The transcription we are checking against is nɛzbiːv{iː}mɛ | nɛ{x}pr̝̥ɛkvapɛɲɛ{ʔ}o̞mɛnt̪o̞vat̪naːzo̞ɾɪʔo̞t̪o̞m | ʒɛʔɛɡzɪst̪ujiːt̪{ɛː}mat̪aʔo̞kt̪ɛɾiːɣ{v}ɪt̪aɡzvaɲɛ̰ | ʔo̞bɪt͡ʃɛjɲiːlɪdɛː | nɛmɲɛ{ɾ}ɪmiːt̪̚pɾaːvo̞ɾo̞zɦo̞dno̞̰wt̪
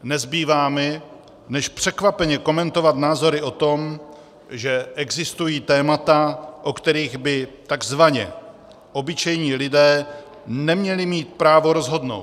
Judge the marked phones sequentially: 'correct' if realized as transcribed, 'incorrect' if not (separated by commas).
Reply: incorrect, incorrect, incorrect, correct, incorrect, incorrect